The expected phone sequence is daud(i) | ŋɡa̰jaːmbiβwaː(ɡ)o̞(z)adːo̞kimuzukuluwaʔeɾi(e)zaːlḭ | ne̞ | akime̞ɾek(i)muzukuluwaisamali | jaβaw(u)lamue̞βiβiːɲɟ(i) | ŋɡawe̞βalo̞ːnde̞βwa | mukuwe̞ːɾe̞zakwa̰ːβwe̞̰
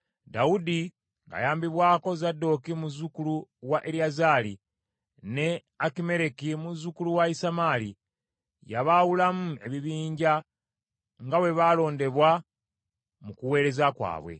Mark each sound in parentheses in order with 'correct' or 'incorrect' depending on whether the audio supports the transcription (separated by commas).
correct, incorrect, correct, incorrect, correct, correct, incorrect